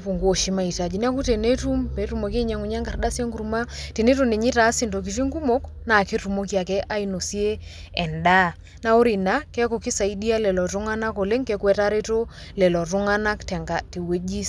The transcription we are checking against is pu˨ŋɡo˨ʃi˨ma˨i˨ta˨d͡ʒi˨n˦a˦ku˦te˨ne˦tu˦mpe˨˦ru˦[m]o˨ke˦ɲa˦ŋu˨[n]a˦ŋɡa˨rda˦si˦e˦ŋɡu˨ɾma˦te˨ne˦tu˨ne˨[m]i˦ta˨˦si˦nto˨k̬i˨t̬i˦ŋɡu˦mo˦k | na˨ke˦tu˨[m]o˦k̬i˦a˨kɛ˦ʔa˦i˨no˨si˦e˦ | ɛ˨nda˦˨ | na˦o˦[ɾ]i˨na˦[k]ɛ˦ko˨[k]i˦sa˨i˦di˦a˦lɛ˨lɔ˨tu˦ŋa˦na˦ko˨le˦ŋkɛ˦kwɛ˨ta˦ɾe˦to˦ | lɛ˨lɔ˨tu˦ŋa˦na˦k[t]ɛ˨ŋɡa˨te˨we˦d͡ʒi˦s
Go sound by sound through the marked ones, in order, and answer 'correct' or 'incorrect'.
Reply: correct, incorrect: ɲ, incorrect: ɲ, correct, correct, correct, correct, correct

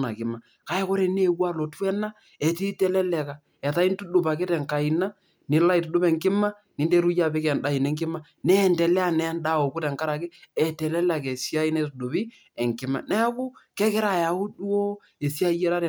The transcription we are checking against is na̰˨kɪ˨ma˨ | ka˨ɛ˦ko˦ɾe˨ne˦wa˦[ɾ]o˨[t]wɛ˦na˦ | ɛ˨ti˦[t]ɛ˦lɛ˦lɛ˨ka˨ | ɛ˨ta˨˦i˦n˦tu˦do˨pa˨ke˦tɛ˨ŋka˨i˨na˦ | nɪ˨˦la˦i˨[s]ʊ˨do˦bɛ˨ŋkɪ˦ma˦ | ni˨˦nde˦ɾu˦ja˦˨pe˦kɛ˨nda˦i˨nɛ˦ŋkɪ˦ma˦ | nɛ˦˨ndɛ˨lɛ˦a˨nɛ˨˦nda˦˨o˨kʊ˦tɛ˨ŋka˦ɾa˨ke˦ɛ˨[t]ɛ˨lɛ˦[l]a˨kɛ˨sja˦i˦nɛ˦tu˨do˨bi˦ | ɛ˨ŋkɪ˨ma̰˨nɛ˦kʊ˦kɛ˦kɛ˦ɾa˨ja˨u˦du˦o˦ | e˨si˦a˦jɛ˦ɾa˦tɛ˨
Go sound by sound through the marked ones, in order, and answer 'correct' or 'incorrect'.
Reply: incorrect: l, correct, correct, incorrect: t, correct, correct

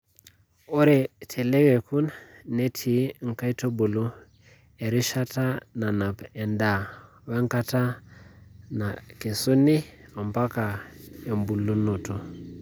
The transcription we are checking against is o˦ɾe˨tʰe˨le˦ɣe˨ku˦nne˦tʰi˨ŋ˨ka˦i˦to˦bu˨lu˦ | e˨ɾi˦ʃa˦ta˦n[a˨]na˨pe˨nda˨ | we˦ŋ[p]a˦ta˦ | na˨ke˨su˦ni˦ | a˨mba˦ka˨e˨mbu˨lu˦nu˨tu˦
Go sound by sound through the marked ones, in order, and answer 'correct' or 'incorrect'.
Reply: correct, incorrect: k

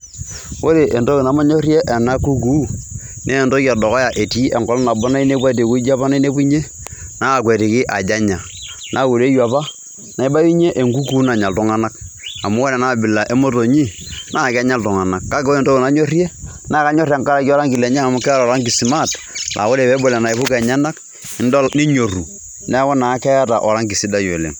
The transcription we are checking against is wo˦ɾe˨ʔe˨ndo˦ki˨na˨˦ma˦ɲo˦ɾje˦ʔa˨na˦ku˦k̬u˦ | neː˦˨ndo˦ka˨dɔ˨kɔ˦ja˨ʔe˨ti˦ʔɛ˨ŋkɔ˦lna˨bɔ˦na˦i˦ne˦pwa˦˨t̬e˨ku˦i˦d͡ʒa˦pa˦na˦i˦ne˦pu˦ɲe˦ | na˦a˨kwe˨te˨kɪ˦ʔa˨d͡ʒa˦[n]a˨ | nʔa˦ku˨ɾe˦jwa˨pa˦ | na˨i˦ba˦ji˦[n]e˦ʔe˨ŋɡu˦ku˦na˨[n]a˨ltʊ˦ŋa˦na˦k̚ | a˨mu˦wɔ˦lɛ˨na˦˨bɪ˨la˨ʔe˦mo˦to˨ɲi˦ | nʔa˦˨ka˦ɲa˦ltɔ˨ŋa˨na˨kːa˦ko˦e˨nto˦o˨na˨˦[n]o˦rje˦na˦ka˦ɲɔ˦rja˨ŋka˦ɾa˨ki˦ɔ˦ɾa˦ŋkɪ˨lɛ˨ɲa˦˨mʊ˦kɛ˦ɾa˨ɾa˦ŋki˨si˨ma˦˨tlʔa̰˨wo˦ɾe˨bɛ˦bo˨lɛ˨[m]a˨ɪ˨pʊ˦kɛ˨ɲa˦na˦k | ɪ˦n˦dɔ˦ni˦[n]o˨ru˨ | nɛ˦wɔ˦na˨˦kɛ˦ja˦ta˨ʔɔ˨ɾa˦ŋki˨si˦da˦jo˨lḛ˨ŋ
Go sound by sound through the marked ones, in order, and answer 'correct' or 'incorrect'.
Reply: incorrect: ɲ, incorrect: ɲ, incorrect: ɲ, incorrect: ɲ, incorrect: n, incorrect: ɲ

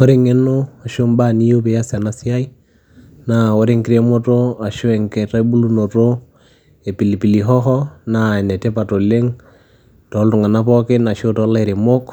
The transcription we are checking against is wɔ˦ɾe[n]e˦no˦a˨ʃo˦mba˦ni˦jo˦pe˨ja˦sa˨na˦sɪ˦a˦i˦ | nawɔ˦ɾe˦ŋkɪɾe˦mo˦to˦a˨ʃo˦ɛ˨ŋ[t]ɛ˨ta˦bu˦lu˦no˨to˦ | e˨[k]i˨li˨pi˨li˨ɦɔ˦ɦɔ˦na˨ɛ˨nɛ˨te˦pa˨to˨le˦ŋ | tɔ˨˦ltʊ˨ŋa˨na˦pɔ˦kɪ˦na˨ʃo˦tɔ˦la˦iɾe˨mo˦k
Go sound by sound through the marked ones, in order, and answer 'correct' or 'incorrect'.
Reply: incorrect: ŋ, incorrect: k, incorrect: p

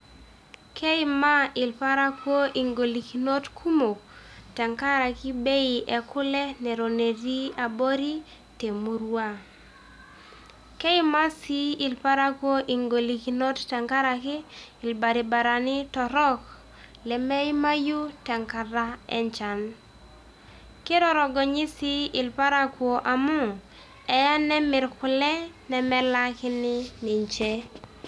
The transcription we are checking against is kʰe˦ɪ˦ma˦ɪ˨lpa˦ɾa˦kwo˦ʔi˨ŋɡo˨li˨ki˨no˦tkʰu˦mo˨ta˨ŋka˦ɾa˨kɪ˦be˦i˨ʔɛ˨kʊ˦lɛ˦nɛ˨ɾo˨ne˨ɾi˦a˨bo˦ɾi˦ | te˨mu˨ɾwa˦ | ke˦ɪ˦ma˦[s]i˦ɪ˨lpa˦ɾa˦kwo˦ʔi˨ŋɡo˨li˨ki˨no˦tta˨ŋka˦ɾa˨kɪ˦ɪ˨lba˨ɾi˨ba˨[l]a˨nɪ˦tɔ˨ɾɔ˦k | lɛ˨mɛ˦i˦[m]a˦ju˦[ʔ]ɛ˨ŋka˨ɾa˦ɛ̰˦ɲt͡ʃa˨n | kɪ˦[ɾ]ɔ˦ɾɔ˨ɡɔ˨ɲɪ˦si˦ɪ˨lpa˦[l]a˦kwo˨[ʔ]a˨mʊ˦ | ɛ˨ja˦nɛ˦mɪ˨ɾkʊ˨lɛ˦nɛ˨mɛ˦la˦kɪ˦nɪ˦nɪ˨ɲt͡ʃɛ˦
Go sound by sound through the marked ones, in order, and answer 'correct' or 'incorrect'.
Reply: correct, incorrect: ɾ, correct, incorrect: t, correct, incorrect: ɾ, correct

